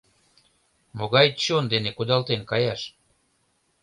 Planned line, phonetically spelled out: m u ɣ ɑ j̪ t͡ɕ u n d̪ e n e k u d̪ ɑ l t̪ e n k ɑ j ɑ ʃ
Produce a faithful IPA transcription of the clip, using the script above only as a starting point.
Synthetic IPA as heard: m o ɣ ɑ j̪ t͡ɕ o n d̪ e n e k u d̪ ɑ l t̪ e n k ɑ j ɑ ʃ